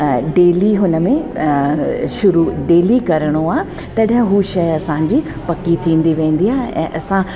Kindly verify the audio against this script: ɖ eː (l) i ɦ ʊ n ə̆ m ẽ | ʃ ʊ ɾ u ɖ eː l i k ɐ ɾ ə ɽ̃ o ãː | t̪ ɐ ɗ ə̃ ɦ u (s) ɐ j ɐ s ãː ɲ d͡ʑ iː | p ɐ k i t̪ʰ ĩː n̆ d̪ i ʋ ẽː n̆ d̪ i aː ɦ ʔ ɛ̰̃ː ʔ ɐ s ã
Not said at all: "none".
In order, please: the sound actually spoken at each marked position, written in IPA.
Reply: l, ʃ

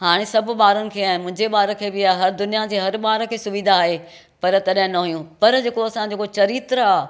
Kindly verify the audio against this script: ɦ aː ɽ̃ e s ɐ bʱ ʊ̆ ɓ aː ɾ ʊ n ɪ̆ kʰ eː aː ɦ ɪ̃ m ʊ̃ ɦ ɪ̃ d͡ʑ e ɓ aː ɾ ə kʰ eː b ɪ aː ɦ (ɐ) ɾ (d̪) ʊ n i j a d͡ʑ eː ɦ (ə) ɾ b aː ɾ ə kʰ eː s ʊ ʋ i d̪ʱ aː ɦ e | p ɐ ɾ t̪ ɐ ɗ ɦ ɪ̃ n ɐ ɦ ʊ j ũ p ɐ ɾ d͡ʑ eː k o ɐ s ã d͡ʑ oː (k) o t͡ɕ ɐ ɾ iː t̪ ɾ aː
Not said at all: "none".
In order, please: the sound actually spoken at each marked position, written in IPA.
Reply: ɐ, d̪, ɐ, k

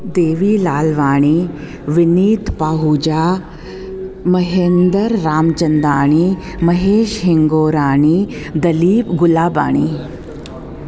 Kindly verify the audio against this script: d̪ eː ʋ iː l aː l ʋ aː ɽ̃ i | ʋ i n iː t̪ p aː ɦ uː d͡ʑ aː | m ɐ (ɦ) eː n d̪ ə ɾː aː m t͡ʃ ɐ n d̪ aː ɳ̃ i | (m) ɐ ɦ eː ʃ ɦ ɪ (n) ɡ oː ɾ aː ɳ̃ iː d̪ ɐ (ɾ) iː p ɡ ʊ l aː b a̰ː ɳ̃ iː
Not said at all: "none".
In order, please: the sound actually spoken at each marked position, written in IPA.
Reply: ɦ, m, ŋ, l

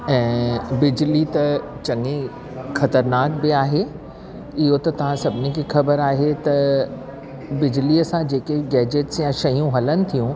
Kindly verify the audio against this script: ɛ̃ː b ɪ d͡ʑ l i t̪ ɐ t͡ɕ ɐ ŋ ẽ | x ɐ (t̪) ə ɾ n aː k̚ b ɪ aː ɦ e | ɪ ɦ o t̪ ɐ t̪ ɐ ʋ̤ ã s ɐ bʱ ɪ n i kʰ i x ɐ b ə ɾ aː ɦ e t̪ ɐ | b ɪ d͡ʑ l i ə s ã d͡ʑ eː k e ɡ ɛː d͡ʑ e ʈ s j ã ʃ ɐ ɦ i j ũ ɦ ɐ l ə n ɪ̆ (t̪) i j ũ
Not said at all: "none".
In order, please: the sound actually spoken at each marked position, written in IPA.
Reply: t̪, t̪ʰ

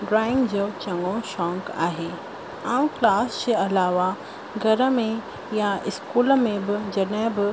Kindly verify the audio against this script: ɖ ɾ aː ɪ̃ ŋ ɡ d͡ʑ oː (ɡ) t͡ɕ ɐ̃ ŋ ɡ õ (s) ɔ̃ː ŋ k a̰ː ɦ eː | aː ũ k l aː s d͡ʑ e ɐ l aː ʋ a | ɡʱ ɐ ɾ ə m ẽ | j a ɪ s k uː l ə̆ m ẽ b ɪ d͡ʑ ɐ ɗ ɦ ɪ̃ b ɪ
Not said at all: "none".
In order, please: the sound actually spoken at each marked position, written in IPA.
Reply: none, ʃ

